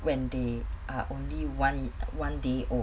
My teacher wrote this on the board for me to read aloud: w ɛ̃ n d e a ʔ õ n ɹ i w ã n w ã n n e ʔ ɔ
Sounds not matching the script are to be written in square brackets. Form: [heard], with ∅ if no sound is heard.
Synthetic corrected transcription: w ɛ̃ n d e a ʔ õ n [l] i w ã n w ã n [d] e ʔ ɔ